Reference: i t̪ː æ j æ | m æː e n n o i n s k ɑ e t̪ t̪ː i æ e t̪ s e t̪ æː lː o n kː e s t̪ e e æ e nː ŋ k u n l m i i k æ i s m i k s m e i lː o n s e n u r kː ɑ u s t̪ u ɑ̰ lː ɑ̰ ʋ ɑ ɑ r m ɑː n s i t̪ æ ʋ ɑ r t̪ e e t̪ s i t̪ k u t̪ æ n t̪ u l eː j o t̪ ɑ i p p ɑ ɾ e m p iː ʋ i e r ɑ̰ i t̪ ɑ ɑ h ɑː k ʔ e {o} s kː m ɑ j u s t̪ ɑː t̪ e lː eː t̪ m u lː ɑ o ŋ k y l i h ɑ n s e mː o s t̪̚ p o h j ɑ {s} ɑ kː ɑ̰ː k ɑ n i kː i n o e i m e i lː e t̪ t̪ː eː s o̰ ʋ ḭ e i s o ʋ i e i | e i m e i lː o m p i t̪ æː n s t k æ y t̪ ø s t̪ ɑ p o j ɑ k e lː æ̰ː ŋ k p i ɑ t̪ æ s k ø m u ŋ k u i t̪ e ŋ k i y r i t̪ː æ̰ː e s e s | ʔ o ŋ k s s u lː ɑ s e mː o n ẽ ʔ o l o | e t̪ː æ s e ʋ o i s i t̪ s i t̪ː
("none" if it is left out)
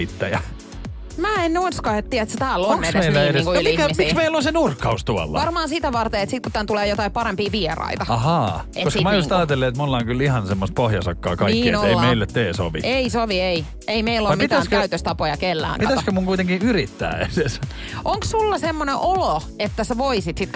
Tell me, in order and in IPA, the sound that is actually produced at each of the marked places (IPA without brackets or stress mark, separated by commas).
o, s